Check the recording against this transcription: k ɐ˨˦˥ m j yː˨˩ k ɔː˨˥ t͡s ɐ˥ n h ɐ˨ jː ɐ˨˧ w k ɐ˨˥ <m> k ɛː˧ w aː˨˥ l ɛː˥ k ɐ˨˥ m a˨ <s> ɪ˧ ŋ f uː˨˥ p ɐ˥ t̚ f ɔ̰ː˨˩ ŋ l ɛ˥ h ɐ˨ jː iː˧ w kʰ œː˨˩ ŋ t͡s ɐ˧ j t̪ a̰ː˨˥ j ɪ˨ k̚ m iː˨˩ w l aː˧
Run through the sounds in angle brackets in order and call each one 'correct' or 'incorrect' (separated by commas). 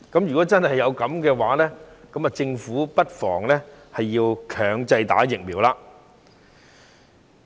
correct, incorrect